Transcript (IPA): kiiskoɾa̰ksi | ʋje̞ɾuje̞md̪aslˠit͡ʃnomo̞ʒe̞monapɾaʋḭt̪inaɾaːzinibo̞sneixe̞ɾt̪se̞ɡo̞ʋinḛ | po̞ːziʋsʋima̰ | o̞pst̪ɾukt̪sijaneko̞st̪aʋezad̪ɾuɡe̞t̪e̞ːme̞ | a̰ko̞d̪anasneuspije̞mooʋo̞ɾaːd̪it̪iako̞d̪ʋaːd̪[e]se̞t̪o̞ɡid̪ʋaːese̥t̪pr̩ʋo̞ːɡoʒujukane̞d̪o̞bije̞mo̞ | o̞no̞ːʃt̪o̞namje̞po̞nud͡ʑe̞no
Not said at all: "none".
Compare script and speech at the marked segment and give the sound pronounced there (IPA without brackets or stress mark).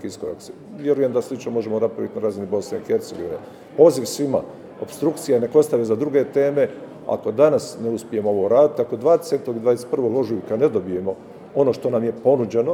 e